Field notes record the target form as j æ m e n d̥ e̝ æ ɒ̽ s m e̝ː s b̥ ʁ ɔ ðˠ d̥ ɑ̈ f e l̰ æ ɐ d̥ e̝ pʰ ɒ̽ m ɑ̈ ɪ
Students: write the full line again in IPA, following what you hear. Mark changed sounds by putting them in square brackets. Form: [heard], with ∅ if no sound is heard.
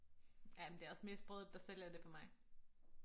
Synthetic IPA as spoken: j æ m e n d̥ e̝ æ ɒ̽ s m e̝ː s b̥ ʁ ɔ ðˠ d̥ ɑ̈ [s] e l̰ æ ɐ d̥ e̝ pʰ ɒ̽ m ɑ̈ ɪ